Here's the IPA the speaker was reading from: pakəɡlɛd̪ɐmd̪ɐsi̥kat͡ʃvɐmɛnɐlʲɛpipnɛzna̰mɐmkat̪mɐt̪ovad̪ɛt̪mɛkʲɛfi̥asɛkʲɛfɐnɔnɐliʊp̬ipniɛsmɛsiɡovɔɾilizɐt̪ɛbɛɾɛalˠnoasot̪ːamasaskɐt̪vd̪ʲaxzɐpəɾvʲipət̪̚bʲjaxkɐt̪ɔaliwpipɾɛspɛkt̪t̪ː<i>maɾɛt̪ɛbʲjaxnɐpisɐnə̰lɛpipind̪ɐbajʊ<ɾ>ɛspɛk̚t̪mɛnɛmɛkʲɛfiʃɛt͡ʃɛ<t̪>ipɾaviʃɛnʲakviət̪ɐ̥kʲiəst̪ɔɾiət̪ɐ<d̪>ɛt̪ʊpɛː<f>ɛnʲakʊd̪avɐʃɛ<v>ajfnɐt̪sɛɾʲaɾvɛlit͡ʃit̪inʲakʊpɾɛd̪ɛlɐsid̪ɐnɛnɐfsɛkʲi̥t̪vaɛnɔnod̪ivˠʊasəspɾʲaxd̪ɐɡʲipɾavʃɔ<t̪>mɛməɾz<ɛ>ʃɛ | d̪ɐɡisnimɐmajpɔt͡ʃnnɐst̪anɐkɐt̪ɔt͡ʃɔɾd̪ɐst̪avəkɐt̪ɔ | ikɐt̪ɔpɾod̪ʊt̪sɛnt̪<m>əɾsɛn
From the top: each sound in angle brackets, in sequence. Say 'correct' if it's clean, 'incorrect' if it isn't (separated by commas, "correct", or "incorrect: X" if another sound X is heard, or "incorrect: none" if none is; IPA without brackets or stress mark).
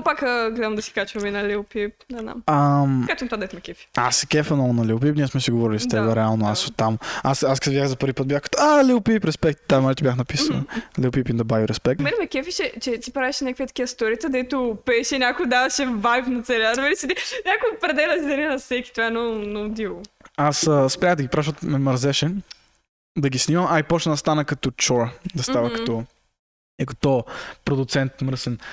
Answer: incorrect: a, correct, correct, correct, incorrect: ʃ, correct, correct, correct, correct